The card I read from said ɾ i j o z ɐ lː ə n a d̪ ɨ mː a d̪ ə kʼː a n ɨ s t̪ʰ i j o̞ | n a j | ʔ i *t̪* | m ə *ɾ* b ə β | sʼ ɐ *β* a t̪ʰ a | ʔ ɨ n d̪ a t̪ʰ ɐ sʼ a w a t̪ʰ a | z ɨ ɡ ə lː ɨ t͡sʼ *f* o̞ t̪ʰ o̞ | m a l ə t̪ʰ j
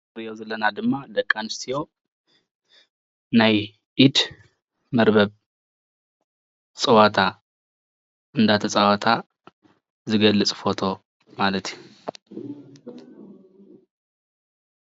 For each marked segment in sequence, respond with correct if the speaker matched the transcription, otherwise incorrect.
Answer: incorrect: d̪, correct, incorrect: w, correct

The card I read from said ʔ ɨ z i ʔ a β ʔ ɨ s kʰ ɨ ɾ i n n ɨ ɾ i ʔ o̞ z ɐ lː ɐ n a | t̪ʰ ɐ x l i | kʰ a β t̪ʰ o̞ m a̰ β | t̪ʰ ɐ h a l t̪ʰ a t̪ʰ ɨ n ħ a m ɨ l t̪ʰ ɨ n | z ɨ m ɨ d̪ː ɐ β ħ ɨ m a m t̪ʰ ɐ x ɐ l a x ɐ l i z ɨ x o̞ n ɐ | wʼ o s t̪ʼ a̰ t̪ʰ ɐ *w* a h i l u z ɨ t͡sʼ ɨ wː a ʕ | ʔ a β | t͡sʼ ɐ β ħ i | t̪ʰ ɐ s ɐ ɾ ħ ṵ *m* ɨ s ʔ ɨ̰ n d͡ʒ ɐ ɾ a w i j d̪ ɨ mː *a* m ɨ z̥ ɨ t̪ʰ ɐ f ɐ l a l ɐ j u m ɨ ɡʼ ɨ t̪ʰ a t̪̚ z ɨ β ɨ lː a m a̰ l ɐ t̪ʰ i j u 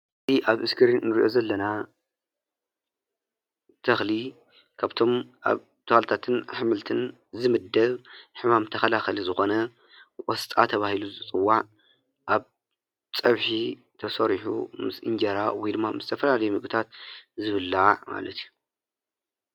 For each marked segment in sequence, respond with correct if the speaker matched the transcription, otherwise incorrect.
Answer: incorrect: β, correct, correct

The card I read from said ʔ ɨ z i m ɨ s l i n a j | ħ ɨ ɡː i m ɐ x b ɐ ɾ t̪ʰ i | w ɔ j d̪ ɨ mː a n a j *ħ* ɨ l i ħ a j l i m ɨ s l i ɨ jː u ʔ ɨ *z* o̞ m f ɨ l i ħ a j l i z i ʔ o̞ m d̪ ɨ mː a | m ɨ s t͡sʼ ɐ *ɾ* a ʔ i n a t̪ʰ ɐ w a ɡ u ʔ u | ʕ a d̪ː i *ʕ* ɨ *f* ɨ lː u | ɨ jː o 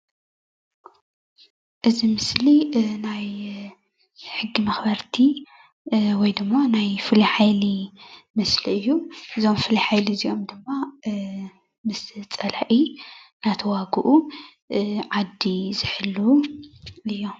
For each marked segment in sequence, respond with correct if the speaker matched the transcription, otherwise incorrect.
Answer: incorrect: f, correct, incorrect: l, incorrect: z, incorrect: ħ

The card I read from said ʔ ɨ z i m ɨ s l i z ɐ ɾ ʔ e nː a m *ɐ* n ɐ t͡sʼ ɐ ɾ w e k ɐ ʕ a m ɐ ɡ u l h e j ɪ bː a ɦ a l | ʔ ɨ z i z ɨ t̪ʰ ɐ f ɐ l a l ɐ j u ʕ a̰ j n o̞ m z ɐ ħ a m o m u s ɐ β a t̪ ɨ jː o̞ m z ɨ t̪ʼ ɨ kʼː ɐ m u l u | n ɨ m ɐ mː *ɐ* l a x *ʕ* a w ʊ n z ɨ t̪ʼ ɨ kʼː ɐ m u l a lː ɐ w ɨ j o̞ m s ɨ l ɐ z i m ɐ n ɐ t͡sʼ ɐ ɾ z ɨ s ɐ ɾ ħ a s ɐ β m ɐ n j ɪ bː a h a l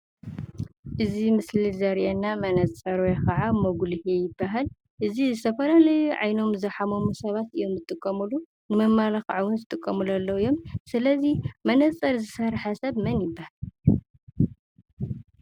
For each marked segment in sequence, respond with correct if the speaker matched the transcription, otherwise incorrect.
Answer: correct, incorrect: a, correct

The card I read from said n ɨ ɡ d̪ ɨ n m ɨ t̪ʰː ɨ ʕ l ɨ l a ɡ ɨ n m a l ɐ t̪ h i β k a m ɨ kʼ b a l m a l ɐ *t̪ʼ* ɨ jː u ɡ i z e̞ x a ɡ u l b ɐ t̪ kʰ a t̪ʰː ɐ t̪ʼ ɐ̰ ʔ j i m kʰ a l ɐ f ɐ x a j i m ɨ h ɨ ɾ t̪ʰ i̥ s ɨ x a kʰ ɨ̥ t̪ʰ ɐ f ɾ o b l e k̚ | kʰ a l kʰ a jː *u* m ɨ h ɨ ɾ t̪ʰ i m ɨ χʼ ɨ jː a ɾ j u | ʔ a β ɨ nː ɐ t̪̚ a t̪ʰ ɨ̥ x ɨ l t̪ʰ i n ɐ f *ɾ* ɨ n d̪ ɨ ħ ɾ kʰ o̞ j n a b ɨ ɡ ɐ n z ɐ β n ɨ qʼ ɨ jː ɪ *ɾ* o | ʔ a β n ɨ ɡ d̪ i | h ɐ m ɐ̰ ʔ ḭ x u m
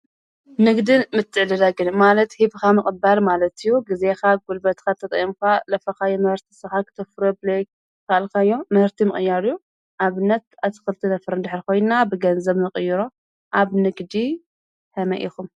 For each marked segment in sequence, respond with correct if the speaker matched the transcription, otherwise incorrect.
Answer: incorrect: t̪, incorrect: o, correct, correct

